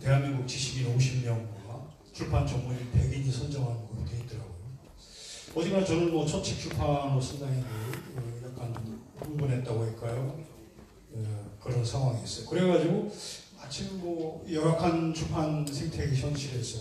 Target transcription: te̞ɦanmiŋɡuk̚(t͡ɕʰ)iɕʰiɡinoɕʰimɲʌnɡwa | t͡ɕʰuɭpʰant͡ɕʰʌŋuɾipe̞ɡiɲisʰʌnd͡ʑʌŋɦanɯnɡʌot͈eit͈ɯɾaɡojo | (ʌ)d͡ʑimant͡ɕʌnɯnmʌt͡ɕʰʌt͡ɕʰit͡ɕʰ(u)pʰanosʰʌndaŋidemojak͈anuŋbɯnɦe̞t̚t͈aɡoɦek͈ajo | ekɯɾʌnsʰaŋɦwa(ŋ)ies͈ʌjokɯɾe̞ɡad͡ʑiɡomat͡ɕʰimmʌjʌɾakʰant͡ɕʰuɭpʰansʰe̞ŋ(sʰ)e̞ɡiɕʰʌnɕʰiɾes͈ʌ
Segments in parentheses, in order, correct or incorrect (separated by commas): incorrect, correct, correct, correct, incorrect